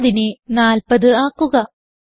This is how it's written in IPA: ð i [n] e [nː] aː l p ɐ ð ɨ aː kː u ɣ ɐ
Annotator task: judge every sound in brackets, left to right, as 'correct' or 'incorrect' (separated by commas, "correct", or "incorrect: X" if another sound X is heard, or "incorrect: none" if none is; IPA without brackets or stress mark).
correct, incorrect: n